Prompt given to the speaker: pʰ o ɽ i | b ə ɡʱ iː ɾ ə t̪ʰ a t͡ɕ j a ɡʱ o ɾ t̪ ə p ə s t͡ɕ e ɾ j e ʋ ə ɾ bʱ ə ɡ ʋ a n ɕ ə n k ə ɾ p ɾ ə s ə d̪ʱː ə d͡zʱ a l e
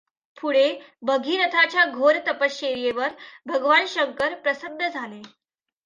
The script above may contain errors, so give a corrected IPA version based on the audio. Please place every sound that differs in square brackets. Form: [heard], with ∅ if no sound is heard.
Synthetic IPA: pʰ [u] ɽ [e] | b ə ɡʱ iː ɾ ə t̪ʰ a t͡ɕ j a ɡʱ o ɾ t̪ ə p ə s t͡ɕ e ɾ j e ʋ ə ɾ bʱ ə ɡ ʋ a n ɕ ə [ŋ] k ə ɾ p ɾ ə s ə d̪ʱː ə d͡zʱ a l e